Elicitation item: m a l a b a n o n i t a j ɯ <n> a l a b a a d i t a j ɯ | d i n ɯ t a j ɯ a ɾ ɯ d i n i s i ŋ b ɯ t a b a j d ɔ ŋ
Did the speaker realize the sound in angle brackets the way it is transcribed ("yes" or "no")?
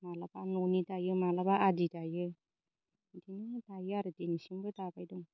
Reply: no